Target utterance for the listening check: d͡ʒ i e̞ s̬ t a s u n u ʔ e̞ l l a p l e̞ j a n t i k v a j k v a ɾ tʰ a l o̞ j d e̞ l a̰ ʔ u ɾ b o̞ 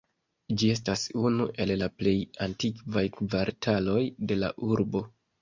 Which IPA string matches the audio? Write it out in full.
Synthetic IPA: d͡ʒ i e̞ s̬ t a s u n u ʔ e̞ l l a p l e̞ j a n t i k v a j k v a ɾ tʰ a l o̞ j d e̞ l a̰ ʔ u ɾ b o̞